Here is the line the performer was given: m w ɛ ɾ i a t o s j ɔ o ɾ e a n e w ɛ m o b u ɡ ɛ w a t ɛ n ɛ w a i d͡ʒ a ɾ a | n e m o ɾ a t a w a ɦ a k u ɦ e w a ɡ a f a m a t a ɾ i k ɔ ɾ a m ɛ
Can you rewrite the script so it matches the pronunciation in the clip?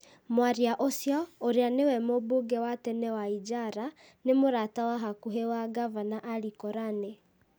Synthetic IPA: m w a ɾ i a ʔ o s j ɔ o ɾ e a n e w ɛ m o b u ɡ ɛ w a t ɛ n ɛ w a i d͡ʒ a ɾ a | n e m o ɾ a t a w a ɦ a k u ɦ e w a ɡ a v a n a ʔ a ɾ i k ɔ ɾ a n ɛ